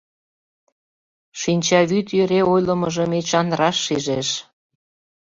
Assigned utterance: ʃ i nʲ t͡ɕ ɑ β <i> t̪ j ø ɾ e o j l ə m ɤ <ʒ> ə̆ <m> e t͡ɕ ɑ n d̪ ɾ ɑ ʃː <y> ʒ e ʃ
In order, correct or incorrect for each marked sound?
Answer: incorrect, correct, correct, incorrect

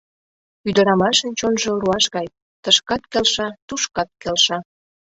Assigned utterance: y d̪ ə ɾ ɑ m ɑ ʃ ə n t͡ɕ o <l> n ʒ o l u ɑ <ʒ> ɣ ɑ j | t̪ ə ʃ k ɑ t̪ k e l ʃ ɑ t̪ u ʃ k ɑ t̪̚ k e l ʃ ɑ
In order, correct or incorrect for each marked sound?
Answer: incorrect, incorrect

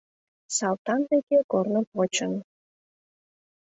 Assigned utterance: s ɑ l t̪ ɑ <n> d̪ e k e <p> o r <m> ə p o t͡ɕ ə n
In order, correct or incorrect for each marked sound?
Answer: correct, incorrect, incorrect

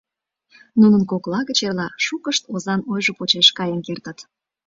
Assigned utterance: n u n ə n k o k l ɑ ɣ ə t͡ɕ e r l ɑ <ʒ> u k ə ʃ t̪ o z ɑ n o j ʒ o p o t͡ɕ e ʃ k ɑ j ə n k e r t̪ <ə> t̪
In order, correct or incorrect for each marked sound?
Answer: incorrect, correct

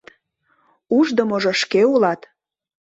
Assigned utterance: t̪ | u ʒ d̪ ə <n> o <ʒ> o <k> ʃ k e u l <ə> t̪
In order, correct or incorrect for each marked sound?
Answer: incorrect, correct, incorrect, incorrect

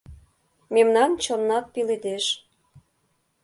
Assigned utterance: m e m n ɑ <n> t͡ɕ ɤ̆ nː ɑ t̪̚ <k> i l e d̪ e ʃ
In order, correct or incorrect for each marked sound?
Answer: correct, incorrect

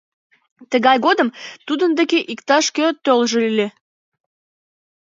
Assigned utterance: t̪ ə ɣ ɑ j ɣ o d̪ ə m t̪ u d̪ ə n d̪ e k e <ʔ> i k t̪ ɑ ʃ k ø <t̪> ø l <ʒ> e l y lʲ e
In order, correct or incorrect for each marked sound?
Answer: correct, correct, correct

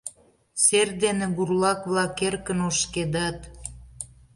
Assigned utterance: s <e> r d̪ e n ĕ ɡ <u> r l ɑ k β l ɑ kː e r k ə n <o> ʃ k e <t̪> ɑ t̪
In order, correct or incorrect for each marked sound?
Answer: correct, correct, correct, incorrect

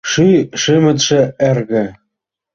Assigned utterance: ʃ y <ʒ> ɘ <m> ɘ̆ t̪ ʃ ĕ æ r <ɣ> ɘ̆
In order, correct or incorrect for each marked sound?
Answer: incorrect, correct, correct

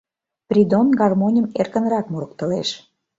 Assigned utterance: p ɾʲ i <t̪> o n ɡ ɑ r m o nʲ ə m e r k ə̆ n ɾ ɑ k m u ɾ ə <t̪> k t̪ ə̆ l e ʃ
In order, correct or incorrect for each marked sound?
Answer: incorrect, incorrect

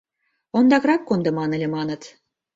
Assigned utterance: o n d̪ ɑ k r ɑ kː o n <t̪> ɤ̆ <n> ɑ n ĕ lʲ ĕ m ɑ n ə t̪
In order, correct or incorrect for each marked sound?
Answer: incorrect, incorrect

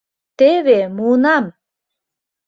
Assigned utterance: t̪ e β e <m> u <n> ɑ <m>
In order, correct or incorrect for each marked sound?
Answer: correct, correct, correct

